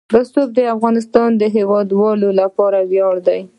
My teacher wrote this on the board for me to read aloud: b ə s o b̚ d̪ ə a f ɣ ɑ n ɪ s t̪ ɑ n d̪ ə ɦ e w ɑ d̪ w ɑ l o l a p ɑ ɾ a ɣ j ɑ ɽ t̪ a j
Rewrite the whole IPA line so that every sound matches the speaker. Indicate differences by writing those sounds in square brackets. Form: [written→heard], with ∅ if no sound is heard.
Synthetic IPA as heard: b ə s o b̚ d̪ ə a f ɣ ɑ n ɪ s t̪ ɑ n d̪ ə ɦ e w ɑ d̪ w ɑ l o l a p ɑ ɾ a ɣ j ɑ ɽ [t̪→d̪] a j